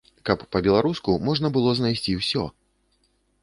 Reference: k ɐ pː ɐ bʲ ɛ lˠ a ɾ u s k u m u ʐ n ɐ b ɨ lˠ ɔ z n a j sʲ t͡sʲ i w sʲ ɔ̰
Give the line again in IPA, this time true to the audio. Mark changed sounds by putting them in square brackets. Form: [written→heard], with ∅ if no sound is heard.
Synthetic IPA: k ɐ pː ɐ bʲ ɛ lˠ a ɾ u s k u m [u→ɔ] ʐ n ɐ b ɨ lˠ ɔ z n a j sʲ t͡sʲ i w sʲ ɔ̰